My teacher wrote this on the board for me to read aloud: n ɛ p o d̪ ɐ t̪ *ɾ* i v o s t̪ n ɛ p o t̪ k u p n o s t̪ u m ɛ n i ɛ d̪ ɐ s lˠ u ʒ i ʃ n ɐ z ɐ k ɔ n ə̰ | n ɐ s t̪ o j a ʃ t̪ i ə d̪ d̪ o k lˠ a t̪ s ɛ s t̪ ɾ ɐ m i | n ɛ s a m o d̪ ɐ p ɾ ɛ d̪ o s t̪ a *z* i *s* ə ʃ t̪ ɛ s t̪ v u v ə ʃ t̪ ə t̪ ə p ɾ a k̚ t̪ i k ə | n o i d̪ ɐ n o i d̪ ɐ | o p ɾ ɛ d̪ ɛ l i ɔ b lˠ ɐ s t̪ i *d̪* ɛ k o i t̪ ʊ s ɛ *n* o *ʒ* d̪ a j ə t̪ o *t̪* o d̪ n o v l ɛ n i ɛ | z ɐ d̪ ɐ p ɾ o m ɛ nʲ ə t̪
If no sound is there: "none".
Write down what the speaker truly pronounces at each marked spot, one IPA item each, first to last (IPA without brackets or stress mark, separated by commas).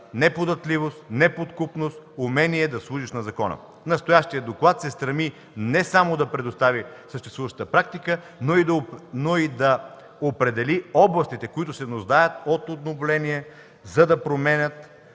l, v, s, t̪, n, ʒ, t̪